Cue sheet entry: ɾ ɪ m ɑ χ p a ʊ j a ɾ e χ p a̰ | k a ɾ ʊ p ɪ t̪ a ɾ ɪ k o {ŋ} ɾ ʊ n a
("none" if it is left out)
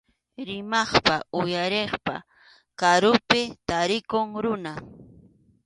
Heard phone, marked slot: ŋ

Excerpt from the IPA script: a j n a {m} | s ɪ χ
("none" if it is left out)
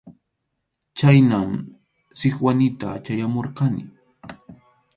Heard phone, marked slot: m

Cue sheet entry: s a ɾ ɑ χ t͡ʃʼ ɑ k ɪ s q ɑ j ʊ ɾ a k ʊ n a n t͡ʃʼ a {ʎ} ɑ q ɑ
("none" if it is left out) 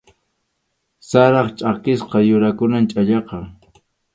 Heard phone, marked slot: ʎ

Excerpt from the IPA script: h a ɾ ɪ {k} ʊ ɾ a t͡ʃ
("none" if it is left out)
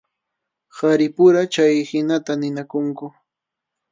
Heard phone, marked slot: p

